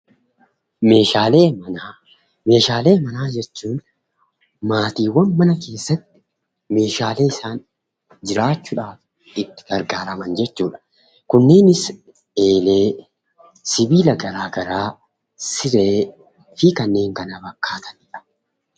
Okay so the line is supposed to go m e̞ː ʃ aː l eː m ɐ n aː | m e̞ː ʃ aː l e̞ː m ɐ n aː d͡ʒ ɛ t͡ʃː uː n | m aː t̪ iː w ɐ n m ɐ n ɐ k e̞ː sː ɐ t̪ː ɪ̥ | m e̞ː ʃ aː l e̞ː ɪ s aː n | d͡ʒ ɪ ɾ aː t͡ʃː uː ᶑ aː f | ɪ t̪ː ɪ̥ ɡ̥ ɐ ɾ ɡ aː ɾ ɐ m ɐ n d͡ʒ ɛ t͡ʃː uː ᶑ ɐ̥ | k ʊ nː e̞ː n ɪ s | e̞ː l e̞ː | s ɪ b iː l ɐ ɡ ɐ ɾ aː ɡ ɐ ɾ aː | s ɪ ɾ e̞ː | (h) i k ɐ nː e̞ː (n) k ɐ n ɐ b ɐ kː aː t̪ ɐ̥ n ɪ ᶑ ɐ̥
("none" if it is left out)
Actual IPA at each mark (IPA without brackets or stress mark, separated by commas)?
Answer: f, ŋ